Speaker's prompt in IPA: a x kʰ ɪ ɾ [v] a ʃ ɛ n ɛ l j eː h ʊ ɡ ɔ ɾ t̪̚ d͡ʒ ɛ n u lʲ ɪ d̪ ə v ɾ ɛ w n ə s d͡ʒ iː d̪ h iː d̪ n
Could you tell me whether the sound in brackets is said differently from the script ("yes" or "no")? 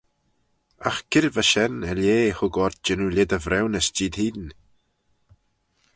no